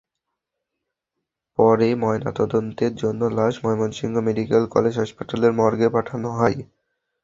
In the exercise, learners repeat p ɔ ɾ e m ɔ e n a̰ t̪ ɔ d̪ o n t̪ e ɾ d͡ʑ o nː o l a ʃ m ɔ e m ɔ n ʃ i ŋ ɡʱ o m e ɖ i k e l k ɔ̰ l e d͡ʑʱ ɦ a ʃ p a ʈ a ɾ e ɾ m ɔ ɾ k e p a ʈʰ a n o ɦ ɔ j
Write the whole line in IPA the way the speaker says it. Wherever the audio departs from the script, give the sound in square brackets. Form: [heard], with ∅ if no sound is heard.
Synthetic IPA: p ɔ ɾ e m ɔ e n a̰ t̪ ɔ d̪ o n t̪ e ɾ d͡ʑ o nː o l a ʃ m ɔ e m [o] n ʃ i ŋ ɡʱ o m e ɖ i k e l k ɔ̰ l e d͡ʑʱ ɦ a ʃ p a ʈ a [l] e ɾ m ɔ ɾ [ɡ] e p a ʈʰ a n o ɦ ɔ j